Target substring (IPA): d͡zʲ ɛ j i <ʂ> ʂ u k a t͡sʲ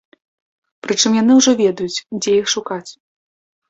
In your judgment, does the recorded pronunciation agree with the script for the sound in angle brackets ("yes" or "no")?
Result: no